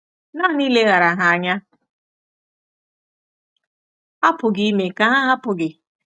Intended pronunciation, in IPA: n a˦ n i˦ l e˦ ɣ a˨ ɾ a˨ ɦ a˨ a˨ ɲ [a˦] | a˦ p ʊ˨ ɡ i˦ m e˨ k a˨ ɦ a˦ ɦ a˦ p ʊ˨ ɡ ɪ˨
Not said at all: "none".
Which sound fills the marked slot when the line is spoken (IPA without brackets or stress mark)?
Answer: a˦